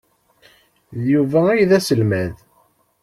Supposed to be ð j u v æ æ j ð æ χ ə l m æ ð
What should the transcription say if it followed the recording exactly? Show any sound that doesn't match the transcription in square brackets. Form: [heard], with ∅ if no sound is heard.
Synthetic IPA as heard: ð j u v æ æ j ð æ [s] ə l m æ ð